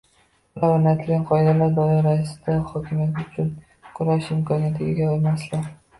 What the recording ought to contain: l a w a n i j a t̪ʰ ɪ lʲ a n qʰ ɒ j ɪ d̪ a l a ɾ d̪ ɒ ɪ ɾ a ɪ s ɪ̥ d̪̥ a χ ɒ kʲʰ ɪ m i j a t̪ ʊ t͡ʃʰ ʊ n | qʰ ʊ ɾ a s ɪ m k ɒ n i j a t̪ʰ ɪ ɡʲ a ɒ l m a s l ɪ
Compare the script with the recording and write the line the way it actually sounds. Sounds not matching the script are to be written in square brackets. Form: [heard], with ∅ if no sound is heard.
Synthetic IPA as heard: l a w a n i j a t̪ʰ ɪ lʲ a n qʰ ɒ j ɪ d̪ a l a ɾ d̪ ɒ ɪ ɾ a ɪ s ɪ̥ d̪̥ a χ ɒ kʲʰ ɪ m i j a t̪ ʊ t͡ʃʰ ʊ n | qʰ ʊ ɾ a [ʃ] ɪ m k ɒ n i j a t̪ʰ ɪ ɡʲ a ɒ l m a s l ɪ